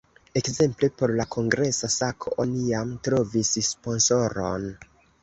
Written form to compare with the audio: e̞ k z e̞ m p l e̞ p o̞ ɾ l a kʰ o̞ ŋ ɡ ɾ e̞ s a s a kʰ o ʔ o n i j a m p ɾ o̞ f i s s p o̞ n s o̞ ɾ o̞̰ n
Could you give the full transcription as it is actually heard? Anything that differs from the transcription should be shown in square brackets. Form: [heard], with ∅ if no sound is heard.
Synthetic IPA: e̞ k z e̞ m p l e̞ p o̞ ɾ l a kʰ o̞ ŋ ɡ ɾ e̞ s a s a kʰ o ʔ o n i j a m [t] ɾ o̞ [v] i s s p o̞ n s o̞ ɾ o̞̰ n